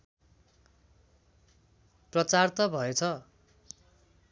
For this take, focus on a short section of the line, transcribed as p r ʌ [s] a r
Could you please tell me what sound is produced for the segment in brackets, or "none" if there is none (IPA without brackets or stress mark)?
t͡s